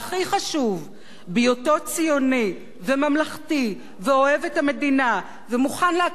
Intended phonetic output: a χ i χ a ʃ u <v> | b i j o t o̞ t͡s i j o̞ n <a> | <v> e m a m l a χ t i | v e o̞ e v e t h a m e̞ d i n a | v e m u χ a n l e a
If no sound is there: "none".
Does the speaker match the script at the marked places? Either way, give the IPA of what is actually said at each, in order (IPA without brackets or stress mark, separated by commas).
v, i, v